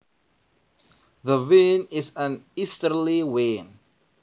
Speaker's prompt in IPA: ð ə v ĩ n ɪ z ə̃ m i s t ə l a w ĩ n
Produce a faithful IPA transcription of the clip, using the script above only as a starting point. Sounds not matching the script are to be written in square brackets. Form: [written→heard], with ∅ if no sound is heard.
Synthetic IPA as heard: ð ə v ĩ n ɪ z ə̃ [m→n] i s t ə l [a→i] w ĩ n